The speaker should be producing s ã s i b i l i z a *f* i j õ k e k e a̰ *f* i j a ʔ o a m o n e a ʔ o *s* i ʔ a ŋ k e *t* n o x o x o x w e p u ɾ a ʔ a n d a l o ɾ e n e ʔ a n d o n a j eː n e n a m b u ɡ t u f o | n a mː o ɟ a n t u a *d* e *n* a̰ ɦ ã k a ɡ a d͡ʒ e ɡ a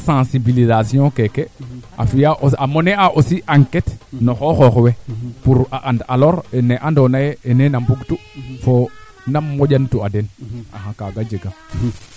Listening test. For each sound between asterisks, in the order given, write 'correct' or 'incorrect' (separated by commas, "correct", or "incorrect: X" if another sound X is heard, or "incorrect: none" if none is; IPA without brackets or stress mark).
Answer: incorrect: s, correct, correct, correct, correct, correct